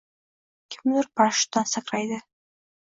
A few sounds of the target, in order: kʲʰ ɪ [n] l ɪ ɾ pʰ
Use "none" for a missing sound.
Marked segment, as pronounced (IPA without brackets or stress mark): m